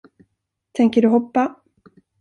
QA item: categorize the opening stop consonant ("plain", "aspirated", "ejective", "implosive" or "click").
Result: aspirated